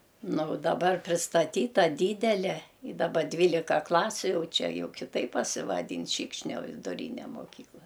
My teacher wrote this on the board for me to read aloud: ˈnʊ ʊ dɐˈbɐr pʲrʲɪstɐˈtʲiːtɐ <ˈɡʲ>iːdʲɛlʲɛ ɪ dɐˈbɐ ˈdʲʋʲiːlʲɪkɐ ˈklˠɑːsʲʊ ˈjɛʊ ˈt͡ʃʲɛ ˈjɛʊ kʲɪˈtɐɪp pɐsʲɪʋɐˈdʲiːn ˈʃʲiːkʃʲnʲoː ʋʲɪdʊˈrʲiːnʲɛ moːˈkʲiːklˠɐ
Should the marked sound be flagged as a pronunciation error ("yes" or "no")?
yes